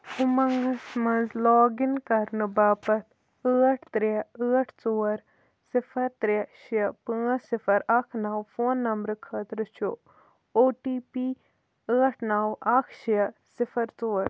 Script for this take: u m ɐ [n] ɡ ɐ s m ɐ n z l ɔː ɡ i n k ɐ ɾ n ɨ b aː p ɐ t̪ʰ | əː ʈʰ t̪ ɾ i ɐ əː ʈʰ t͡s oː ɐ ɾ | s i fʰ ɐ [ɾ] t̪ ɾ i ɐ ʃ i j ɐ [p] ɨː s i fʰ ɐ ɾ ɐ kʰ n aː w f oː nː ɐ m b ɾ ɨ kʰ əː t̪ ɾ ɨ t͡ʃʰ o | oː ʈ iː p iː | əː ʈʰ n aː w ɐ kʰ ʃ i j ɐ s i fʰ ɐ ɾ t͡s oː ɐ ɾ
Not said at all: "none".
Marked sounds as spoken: ŋ, ɾ, p

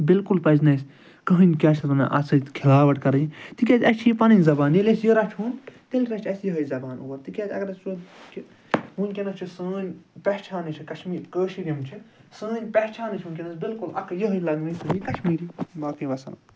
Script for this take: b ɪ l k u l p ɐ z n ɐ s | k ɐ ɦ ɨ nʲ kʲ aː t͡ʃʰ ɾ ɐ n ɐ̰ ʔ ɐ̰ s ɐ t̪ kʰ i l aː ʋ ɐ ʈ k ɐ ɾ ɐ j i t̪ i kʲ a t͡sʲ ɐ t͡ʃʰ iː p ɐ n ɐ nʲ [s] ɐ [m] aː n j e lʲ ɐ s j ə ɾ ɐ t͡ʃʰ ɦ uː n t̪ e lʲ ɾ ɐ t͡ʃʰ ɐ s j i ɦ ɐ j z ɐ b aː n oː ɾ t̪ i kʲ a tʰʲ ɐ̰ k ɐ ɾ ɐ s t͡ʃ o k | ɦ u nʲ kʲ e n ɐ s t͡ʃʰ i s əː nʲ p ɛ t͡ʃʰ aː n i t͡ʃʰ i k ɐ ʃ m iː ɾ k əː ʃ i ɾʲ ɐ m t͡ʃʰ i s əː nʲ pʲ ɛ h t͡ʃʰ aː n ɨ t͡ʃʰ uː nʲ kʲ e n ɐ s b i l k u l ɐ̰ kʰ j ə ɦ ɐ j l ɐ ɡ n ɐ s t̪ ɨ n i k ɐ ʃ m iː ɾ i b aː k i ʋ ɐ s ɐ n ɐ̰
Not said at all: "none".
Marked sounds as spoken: z, b

